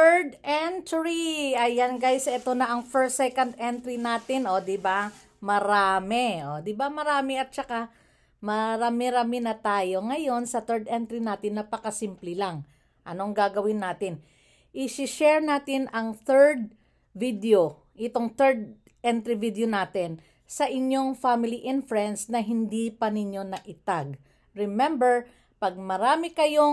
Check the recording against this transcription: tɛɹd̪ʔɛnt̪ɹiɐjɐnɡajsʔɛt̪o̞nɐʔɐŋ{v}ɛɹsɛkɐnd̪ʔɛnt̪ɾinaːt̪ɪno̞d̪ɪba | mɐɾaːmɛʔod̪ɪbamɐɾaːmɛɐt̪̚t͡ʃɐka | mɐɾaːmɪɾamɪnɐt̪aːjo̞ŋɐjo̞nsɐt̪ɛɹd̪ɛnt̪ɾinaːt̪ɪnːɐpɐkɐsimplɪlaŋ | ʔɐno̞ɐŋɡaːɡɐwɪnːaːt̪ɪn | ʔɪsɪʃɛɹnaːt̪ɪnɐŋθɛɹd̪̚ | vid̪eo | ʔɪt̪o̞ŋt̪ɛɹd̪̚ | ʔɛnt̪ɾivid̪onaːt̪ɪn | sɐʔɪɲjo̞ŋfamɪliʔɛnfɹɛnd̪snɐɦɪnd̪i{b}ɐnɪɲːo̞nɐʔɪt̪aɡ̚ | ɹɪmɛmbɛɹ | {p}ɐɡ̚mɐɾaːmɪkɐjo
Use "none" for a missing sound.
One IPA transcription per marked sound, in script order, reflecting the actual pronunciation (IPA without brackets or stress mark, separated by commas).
f, p, p